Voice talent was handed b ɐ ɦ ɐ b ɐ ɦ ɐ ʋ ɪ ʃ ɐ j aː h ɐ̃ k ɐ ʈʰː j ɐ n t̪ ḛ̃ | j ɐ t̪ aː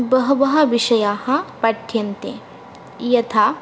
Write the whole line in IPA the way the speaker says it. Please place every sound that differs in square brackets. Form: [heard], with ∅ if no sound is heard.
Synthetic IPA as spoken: b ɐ ɦ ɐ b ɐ ɦ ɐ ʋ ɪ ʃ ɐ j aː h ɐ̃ [p] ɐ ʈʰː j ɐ n t̪ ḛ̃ | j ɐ [t̪ʰ] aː

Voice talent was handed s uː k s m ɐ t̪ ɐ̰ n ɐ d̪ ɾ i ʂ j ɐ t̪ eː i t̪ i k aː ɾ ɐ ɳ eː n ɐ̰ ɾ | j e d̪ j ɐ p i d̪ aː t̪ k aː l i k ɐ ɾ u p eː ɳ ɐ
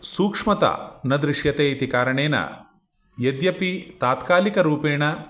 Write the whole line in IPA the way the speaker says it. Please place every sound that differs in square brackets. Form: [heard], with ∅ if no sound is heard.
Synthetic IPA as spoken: s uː k [ʂ] m ɐ t̪ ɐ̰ n ɐ d̪ ɾ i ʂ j ɐ t̪ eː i t̪ i k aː ɾ ɐ ɳ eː n ɐ̰ [∅] | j e d̪ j ɐ p i [t̪] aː t̪ k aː l i k ɐ ɾ [uː] p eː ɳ ɐ

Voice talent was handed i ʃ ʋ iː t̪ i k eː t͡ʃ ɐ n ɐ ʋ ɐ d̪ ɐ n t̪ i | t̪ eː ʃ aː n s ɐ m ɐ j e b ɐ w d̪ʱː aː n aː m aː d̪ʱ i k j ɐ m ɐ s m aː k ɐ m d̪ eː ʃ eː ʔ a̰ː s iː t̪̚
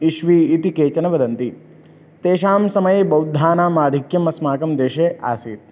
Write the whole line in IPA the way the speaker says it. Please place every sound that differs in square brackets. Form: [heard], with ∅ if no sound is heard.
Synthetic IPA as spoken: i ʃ ʋ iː t̪ i k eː t͡ʃ ɐ n ɐ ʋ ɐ d̪ ɐ n t̪ i | t̪ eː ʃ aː [m] s ɐ m ɐ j e b ɐ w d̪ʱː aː n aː m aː d̪ʱ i k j ɐ m ɐ s m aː k ɐ m d̪ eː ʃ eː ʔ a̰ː s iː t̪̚

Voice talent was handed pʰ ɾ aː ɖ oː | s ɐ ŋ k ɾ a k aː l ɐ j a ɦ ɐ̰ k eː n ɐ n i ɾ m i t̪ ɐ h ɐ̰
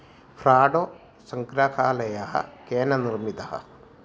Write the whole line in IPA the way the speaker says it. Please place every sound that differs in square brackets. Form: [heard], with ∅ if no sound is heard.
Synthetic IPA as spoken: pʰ ɾ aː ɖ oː | s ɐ ŋ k ɾ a k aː l ɐ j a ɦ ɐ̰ k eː n ɐ n i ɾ m i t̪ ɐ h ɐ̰

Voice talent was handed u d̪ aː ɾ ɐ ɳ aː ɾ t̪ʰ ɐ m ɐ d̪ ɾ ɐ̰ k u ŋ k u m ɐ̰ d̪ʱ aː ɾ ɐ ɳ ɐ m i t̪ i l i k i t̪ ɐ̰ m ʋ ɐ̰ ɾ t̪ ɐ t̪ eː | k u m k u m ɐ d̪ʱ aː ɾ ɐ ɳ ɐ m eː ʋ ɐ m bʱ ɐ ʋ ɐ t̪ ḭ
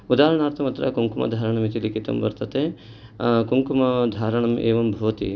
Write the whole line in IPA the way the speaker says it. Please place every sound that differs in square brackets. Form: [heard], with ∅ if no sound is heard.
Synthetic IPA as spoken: u d̪ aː ɾ ɐ ɳ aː ɾ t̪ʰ ɐ m ɐ [t̪] ɾ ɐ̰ k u ŋ k u m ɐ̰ d̪ʱ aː ɾ ɐ ɳ ɐ m i t̪ i l i k i t̪ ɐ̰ m ʋ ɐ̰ ɾ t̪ ɐ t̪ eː | k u [ŋ] k u m ɐ d̪ʱ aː ɾ ɐ ɳ ɐ m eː ʋ ɐ m bʱ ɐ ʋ ɐ t̪ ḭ

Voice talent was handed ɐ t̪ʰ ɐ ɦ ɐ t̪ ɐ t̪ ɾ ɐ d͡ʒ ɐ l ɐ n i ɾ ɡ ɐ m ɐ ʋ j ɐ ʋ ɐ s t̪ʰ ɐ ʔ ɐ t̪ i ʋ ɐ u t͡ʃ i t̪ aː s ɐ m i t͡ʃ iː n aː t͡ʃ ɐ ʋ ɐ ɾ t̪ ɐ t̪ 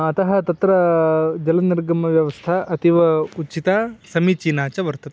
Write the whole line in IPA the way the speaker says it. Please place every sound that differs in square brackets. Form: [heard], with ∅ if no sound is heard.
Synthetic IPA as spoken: ɐ [t̪] ɐ ɦ ɐ t̪ ɐ t̪ ɾ ɐ d͡ʒ ɐ l ɐ n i ɾ ɡ ɐ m ɐ ʋ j ɐ ʋ ɐ s t̪ʰ ɐ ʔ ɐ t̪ i ʋ ɐ u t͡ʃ i t̪ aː s ɐ m i t͡ʃ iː n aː t͡ʃ ɐ ʋ ɐ ɾ t̪ ɐ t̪

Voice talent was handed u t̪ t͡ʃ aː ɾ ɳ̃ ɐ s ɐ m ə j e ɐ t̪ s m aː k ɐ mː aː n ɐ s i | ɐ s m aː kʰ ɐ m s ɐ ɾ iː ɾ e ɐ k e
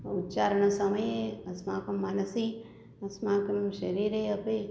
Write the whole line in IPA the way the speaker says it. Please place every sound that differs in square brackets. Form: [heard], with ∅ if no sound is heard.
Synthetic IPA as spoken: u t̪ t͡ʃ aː ɾ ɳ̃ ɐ s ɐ m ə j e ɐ [∅] s m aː k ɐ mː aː n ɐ s i | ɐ s m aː [k] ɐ m [ʃ] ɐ ɾ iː ɾ e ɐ [p] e

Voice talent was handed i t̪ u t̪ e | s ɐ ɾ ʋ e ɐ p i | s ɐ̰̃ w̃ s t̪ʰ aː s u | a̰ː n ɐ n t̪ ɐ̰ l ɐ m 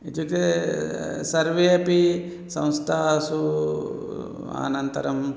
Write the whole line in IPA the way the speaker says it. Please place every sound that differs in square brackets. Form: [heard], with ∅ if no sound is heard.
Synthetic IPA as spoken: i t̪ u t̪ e | s ɐ ɾ ʋ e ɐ p i | s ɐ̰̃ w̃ s t̪ʰ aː s u | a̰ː n ɐ n t̪ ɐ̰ [ɾ] ɐ m

